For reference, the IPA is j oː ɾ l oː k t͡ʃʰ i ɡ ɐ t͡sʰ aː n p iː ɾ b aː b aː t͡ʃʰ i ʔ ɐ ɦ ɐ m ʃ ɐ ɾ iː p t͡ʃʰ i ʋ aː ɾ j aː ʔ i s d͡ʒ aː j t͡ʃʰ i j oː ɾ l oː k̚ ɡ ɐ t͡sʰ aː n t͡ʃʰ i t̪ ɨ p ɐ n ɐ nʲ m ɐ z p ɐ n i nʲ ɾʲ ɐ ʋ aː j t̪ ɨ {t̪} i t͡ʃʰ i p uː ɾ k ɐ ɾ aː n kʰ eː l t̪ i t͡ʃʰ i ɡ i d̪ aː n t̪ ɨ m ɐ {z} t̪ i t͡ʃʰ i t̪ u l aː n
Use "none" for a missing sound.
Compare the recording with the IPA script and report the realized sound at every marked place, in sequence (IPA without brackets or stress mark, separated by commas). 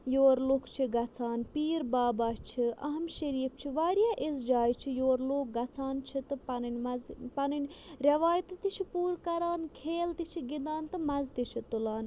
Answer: t̪, z